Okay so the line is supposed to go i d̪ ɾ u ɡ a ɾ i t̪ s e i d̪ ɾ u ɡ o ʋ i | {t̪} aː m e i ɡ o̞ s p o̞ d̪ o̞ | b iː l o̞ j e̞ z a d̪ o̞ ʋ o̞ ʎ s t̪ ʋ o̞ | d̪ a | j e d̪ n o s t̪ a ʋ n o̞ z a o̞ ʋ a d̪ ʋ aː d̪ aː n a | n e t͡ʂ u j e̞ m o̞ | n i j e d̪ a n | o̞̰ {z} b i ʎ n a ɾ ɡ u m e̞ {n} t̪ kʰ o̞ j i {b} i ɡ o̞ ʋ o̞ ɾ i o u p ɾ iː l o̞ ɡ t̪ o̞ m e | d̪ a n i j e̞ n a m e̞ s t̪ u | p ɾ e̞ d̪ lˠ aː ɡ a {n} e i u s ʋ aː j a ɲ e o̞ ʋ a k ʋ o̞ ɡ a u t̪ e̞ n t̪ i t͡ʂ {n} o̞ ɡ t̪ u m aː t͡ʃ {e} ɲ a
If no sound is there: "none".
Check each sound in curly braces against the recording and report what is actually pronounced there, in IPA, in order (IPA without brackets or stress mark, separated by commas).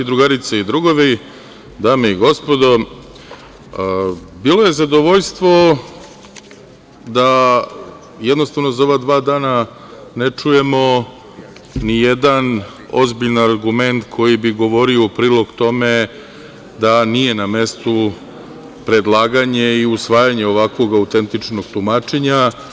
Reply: d̪, z, n, b, ɲ, n, e